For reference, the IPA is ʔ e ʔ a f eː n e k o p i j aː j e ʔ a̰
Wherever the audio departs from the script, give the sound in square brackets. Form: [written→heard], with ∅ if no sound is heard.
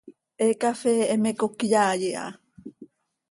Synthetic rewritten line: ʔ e [ʔ→k] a f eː [n→m] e k o [p→k] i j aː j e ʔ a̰